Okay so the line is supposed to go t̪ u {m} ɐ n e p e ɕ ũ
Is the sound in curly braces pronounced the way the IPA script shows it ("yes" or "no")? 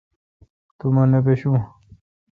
yes